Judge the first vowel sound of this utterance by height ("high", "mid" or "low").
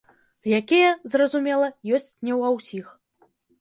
low